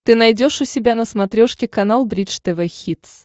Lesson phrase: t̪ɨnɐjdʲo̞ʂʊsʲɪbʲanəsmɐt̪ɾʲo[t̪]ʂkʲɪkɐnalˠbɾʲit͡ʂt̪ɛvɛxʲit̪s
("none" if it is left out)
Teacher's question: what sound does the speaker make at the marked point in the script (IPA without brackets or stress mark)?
none